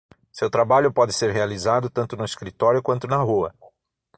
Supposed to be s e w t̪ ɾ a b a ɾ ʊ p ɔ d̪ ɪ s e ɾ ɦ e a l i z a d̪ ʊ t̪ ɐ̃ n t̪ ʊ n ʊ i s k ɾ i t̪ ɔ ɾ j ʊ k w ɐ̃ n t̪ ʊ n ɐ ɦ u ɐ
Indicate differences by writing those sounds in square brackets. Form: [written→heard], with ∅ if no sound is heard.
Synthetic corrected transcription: s e w t̪ ɾ a b a [ɾ→ʎ] ʊ p ɔ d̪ ɪ s e ɾ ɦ e a l i z a d̪ ʊ t̪ ɐ̃ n t̪ ʊ n ʊ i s k ɾ i t̪ ɔ ɾ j ʊ k w ɐ̃ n t̪ ʊ n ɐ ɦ u ɐ

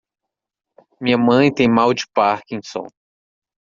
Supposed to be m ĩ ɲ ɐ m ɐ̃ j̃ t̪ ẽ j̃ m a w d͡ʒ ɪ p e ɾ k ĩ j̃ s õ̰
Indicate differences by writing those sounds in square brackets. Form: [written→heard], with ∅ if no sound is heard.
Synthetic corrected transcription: m ĩ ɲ ɐ m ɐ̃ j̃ t̪ ẽ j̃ m a w d͡ʒ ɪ p [e→a] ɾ k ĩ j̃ s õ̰

